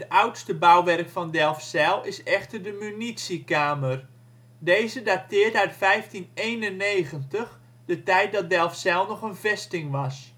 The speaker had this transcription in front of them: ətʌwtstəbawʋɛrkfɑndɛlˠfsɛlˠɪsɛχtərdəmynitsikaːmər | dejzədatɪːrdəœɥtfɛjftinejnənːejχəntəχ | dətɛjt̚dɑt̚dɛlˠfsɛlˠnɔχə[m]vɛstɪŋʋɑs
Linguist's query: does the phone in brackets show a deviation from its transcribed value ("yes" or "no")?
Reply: yes